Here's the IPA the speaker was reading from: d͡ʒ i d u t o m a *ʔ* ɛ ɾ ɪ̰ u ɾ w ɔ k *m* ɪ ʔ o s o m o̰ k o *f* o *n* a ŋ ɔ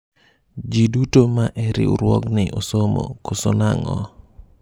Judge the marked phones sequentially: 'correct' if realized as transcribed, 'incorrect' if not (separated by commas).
correct, incorrect, incorrect, correct